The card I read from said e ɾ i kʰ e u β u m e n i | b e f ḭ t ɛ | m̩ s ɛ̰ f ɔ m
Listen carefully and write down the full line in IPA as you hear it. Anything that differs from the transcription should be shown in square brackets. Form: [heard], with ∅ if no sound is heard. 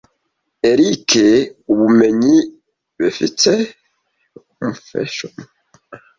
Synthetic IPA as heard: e ɾ i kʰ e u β u m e [ɲ] i | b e f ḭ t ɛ | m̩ [f] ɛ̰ [ʃ] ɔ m